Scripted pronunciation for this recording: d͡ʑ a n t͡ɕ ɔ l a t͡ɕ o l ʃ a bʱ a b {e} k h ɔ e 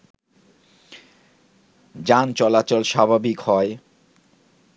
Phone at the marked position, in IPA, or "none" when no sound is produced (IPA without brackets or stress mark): i